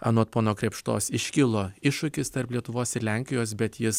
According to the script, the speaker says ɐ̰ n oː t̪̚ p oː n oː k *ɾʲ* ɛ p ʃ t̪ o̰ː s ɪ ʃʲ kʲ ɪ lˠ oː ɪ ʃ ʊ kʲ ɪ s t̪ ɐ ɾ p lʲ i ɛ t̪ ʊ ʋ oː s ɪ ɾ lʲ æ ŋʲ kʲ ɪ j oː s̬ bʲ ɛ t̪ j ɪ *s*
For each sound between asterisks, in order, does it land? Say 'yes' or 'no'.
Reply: yes, yes

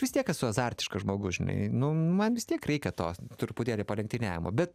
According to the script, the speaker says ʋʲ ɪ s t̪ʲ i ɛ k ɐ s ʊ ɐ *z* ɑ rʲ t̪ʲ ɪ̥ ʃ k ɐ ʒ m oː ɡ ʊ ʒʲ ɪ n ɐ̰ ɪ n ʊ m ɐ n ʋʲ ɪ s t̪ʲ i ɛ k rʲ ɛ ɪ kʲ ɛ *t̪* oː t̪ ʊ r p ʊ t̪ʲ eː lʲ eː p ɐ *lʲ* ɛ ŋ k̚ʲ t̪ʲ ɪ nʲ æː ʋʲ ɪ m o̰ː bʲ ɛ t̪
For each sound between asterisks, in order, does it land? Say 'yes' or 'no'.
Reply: yes, yes, yes

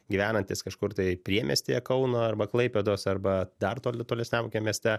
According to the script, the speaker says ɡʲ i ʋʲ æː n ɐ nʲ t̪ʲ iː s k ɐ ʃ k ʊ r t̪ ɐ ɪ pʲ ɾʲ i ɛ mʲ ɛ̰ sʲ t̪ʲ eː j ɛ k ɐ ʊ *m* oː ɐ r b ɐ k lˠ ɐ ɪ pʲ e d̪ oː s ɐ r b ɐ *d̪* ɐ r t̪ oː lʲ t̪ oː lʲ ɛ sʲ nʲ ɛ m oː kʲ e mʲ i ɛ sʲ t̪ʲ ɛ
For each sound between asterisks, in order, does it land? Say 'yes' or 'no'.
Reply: no, yes

